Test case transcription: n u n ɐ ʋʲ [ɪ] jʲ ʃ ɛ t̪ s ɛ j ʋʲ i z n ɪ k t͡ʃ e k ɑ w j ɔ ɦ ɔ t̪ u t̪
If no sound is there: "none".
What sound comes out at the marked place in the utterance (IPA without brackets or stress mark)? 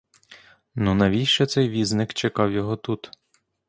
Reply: i